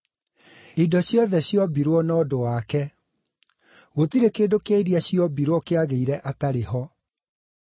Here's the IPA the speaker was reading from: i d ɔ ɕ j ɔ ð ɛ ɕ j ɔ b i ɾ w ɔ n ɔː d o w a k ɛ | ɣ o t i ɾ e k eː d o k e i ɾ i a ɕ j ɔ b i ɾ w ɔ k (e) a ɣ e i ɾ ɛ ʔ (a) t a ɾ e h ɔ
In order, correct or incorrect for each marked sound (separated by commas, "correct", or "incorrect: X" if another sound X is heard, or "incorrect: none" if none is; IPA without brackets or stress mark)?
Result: correct, correct